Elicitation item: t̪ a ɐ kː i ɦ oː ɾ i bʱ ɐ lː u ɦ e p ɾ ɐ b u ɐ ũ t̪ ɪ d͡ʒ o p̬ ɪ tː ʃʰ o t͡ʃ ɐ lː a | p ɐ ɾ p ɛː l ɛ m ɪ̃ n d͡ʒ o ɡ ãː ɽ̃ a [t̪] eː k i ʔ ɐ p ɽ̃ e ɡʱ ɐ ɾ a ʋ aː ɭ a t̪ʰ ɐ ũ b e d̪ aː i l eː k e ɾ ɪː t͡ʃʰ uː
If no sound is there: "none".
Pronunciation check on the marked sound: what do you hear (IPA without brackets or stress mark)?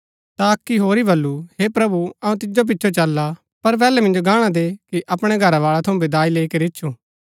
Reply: d̪